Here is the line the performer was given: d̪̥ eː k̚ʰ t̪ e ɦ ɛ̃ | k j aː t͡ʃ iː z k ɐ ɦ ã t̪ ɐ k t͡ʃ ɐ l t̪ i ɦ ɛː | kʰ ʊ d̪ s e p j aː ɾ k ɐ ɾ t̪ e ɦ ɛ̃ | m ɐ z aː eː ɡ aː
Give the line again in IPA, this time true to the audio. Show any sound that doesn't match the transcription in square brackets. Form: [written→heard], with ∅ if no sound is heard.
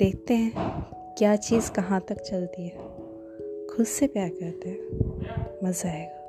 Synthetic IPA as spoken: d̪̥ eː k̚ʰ t̪ e ɦ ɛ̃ | k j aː t͡ʃ iː z k ɐ ɦ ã t̪ ɐ k t͡ʃ ɐ l t̪ i ɦ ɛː | kʰ ʊ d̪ s e p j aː ɾ k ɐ ɾ t̪ e ɦ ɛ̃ | m ɐ z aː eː ɡ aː